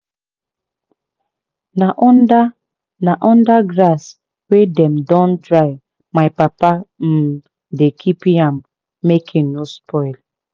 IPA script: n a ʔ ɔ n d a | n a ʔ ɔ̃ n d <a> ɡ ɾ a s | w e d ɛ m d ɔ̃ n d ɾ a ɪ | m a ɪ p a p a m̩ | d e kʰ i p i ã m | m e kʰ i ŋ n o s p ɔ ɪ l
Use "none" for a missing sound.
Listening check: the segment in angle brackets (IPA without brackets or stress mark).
a